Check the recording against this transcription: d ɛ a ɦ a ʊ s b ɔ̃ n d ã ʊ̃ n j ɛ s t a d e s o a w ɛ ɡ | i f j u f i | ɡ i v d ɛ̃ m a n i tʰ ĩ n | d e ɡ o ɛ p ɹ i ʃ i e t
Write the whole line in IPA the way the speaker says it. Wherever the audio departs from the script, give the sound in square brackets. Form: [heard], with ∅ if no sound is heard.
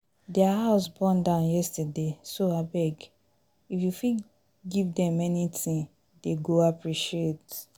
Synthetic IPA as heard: d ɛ a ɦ a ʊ s b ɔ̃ n d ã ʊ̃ n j ɛ s t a d e s o a [b] ɛ ɡ | i f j u f i | ɡ i v d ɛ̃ m [ɛ] n i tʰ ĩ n | d e ɡ o [a] p ɹ i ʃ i e t